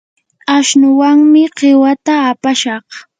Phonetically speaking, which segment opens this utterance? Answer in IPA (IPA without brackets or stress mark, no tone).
a